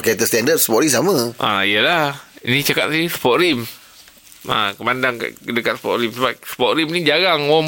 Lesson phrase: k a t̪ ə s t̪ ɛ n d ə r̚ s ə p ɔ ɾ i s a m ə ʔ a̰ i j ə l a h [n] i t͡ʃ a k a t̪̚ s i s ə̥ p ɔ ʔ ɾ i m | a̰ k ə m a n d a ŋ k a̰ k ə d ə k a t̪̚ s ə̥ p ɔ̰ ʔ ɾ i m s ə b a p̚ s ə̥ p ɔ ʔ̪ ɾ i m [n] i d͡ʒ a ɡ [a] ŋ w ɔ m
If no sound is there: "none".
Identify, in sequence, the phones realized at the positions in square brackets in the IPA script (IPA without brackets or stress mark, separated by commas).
n, n, a